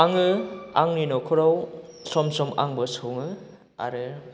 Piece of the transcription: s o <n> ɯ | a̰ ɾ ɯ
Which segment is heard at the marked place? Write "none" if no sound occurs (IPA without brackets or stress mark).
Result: ŋ